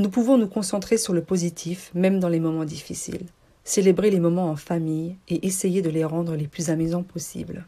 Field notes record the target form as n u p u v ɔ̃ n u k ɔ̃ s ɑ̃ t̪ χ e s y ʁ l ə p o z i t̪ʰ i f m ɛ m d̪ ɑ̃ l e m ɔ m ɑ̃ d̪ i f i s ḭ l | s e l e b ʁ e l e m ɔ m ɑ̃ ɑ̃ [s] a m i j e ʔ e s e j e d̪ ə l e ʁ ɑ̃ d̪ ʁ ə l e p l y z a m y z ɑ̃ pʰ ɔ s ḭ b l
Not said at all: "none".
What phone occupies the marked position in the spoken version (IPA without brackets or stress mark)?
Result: f